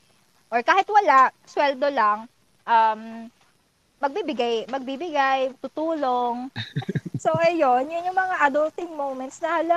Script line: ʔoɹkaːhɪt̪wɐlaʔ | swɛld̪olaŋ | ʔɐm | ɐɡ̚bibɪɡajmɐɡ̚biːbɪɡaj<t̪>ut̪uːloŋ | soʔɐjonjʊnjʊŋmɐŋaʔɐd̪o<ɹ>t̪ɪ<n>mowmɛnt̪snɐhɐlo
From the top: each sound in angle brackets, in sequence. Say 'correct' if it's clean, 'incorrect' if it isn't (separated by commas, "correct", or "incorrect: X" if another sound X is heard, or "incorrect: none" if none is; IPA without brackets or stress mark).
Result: correct, incorrect: l, incorrect: ŋ